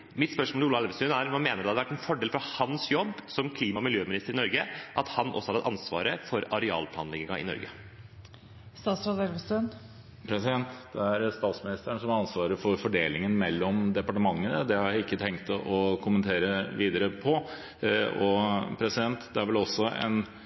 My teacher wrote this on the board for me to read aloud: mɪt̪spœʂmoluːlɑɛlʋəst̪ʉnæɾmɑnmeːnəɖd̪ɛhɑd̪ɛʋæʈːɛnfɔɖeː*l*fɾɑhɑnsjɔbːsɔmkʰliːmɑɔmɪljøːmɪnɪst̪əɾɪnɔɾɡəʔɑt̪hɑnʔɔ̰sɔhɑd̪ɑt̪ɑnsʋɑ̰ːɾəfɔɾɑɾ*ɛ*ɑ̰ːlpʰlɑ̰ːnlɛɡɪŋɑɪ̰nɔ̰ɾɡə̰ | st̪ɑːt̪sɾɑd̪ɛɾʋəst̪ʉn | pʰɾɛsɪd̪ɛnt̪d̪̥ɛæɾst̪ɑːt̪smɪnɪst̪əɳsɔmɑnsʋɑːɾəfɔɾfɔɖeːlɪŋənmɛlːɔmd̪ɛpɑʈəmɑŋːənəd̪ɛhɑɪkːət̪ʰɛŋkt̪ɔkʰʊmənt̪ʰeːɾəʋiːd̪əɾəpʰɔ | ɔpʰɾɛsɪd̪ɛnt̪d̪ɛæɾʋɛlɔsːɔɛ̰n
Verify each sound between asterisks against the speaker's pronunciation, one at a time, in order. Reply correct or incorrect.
correct, correct

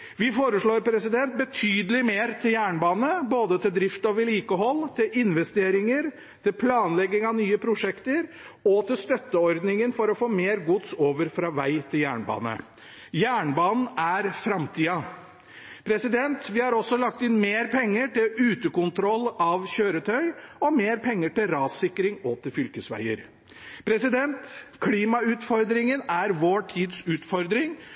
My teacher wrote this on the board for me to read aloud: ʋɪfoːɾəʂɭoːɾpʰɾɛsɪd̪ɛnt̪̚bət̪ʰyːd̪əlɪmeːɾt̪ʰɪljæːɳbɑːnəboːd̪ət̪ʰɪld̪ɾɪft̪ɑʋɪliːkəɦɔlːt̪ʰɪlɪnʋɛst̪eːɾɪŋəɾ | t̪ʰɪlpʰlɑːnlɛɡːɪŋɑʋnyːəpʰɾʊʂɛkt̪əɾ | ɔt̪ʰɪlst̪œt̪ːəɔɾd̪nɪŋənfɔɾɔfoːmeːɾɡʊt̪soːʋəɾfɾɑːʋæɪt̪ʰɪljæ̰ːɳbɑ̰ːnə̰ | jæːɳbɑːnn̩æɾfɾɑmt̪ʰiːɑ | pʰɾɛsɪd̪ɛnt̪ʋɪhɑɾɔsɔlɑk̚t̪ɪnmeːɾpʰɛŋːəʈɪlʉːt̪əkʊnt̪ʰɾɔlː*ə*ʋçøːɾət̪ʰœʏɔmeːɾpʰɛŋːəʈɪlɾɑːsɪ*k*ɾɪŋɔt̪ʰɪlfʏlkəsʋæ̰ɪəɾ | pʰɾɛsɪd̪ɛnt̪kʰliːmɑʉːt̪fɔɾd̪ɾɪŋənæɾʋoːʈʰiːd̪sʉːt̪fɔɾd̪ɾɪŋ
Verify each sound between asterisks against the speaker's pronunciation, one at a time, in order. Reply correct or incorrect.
incorrect: ɑ, correct

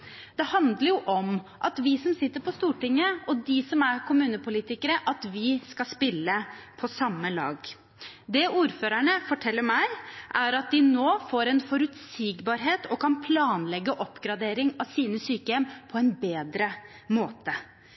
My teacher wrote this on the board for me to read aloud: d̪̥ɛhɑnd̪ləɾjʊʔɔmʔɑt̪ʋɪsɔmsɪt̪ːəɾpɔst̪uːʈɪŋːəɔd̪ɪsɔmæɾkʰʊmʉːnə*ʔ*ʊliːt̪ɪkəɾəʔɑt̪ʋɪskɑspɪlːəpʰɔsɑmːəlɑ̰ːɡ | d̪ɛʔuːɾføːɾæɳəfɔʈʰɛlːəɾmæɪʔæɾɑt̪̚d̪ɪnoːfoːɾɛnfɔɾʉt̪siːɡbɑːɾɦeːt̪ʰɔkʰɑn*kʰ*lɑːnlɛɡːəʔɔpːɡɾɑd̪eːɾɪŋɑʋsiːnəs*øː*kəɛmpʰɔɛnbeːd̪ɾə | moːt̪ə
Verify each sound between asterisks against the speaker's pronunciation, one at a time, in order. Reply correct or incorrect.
incorrect: p, incorrect: pʰ, incorrect: yː

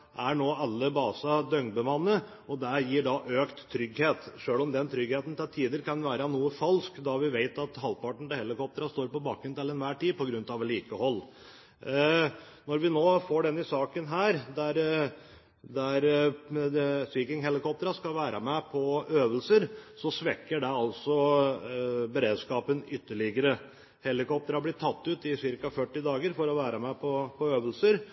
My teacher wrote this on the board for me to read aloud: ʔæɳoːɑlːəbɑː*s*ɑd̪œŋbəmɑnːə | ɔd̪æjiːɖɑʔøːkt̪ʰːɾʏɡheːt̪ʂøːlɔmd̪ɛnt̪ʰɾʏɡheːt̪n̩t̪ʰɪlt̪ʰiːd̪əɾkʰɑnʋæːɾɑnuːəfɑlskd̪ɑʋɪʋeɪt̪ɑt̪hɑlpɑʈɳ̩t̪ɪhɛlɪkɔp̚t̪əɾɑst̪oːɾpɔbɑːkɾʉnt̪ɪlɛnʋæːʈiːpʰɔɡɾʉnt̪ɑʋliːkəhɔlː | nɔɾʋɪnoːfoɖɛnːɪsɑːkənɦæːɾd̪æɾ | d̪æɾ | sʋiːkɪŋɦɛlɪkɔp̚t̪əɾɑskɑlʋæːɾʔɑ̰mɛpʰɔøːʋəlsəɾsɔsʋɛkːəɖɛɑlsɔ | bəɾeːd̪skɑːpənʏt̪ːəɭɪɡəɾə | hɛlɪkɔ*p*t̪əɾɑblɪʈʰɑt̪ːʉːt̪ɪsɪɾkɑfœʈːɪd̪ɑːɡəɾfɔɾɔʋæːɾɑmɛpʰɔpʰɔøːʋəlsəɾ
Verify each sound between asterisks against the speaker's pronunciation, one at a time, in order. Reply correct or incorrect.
correct, correct

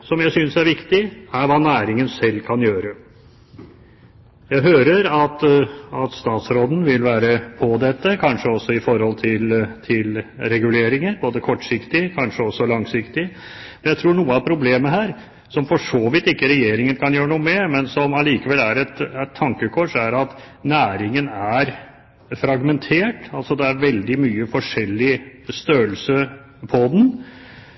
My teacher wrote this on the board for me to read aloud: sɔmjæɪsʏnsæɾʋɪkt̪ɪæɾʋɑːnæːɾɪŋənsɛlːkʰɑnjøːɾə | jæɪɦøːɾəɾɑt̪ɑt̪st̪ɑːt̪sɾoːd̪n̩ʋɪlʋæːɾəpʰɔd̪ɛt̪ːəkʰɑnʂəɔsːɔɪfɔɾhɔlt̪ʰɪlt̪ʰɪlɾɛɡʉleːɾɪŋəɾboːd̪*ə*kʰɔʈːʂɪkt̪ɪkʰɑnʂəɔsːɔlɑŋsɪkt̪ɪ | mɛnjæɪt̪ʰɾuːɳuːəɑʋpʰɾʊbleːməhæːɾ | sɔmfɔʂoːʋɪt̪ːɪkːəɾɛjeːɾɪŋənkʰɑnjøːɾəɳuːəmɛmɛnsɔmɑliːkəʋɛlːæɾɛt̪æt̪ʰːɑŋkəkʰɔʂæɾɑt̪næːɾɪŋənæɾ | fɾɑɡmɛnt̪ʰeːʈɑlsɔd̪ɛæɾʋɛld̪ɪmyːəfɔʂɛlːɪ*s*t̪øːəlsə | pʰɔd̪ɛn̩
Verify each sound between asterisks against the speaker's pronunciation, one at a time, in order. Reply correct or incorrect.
correct, correct

